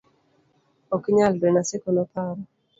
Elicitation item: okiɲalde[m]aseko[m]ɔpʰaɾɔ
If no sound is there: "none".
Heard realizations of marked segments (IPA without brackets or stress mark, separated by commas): n, n